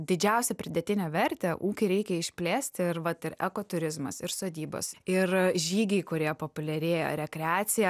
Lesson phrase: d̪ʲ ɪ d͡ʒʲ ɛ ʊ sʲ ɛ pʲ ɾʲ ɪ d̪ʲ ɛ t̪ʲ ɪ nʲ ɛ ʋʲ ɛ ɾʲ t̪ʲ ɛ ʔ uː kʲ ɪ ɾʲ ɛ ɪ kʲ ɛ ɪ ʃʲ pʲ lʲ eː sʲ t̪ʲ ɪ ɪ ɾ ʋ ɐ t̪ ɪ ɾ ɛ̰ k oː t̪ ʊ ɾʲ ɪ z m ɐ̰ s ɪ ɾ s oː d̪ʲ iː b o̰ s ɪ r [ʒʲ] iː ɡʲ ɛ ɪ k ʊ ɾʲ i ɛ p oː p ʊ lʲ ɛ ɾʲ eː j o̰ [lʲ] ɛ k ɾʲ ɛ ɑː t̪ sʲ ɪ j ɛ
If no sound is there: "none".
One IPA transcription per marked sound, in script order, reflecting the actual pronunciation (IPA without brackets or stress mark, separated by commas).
ʒʲ, ɾʲ